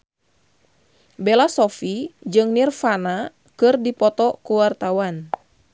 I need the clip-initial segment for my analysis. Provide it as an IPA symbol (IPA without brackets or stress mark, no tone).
b